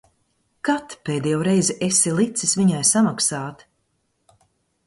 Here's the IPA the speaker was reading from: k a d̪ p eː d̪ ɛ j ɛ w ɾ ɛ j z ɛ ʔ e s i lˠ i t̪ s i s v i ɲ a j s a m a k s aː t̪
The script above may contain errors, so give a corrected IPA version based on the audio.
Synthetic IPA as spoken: k a t̪ p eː d̪ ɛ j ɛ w ɾ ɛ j z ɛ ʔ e s i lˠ i t̪ s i s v i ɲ a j s a m a k s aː t̪